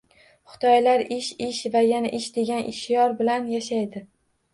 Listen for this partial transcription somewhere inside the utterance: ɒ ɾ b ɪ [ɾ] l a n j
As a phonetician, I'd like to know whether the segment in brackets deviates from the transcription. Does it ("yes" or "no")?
yes